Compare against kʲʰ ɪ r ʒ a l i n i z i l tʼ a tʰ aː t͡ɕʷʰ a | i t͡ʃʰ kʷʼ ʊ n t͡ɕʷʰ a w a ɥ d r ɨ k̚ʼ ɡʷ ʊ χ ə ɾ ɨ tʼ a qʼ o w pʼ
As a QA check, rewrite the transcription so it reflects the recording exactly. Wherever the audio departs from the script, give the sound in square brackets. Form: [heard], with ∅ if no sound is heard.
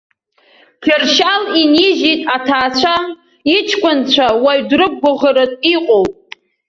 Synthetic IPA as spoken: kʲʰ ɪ r [ʃ] a l i n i [ʒ] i [∅] tʼ a tʰ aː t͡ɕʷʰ a | i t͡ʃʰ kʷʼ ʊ n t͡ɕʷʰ a w a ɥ d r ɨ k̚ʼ ɡʷ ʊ [ʁ] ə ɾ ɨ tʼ [i] qʼ o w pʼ